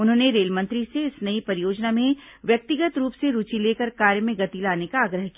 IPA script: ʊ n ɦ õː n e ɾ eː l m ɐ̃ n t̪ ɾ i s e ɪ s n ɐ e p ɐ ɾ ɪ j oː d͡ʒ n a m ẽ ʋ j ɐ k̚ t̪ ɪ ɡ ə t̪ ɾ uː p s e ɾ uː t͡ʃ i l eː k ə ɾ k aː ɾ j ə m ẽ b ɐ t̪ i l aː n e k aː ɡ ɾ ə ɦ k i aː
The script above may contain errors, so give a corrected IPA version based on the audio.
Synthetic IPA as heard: ʊ n ɦ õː n e ɾ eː l m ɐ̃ n t̪ ɾ i s e ɪ s n ɐ i p ɐ ɾ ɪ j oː d͡ʒ n a m ẽ ʋ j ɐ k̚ t̪ ɪ ɡ ə t̪ ɾ uː p s e ɾ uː t͡ʃ i l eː k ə ɾ k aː ɾ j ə m ẽ ɡ ɐ t̪ i l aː n e k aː ɡ ɾ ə ɦ k i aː